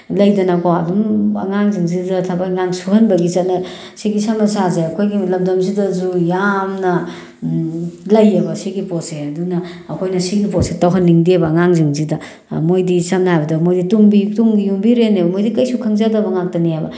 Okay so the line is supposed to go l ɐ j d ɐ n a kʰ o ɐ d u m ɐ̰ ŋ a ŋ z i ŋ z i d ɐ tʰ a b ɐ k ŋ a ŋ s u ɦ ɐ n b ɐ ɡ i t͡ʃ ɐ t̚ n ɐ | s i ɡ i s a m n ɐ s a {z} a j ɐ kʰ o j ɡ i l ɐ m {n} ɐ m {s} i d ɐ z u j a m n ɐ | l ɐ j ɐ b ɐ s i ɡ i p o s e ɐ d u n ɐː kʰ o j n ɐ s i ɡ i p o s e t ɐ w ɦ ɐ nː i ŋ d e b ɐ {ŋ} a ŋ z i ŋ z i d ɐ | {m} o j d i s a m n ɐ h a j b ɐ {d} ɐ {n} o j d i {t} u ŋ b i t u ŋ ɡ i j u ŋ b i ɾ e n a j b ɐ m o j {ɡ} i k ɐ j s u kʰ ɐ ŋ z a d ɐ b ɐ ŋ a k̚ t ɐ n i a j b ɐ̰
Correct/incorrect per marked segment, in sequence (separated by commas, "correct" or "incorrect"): correct, incorrect, incorrect, correct, correct, correct, incorrect, correct, incorrect